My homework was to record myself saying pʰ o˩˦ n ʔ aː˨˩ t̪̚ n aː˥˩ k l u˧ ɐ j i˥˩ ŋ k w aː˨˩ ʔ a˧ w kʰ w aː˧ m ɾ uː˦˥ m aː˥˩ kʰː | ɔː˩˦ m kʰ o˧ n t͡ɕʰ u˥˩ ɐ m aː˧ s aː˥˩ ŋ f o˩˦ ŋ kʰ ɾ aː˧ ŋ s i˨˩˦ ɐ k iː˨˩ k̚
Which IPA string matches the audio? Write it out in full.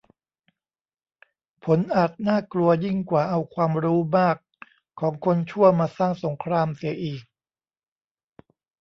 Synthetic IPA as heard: pʰ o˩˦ n ʔ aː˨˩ t̪̚ n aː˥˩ k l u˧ ɐ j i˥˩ ŋ k w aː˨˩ ʔ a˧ w kʰ w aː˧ m ɾ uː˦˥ m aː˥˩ kʰː | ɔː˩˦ ŋ kʰ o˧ n t͡ɕʰ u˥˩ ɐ m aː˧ s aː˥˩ ŋ s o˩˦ ŋ kʰ ɾ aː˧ m s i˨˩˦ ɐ ʔ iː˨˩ k̚